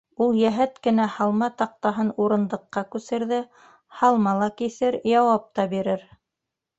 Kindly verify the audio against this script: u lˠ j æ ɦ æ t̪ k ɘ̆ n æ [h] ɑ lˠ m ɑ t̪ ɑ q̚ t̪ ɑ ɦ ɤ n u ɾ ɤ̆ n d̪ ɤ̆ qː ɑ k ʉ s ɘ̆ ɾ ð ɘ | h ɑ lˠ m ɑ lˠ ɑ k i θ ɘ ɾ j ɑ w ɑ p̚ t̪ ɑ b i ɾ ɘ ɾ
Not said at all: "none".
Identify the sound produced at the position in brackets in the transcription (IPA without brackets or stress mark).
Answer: h